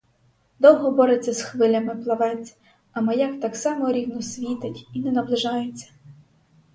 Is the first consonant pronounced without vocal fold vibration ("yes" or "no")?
no